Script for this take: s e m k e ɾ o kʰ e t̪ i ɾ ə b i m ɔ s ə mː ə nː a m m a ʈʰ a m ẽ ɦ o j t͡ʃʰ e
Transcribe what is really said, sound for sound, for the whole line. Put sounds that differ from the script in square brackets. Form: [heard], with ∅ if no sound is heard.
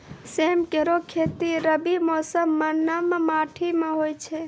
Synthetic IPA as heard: s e m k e ɾ o kʰ e t̪ i ɾ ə b i m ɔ s ə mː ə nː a m m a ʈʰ [i] m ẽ ɦ o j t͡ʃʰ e